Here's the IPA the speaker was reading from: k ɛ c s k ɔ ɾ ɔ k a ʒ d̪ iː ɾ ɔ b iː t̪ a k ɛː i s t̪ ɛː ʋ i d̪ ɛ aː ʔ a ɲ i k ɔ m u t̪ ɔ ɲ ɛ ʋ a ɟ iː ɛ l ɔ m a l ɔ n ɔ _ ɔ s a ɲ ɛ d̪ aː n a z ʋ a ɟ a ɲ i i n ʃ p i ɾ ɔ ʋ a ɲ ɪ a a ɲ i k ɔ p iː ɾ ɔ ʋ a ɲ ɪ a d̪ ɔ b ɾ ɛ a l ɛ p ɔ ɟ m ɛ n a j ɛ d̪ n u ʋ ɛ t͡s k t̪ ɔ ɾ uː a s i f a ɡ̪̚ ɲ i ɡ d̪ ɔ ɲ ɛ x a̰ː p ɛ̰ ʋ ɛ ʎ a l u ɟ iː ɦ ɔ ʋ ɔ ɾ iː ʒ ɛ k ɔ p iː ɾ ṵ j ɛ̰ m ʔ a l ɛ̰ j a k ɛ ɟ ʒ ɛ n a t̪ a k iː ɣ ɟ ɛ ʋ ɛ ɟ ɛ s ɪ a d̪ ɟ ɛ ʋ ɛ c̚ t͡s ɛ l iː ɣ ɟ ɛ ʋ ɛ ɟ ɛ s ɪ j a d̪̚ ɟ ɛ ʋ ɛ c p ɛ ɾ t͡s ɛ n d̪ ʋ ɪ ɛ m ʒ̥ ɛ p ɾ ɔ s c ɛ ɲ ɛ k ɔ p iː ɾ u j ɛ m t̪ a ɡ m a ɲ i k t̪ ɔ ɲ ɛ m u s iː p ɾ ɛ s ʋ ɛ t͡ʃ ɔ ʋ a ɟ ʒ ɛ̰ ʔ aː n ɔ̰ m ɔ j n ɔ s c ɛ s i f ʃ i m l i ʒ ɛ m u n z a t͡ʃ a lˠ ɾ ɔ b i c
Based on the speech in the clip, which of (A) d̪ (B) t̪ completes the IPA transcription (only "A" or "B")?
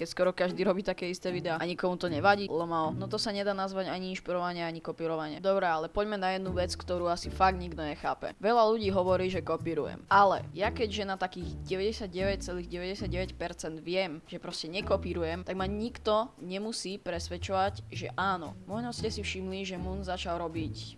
B